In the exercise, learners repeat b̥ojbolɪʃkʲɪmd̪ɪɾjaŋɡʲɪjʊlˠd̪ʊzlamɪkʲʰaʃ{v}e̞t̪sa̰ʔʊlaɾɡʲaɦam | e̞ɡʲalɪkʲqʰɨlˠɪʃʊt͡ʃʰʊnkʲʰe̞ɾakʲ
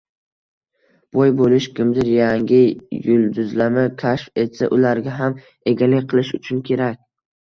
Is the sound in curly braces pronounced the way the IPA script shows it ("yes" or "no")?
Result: no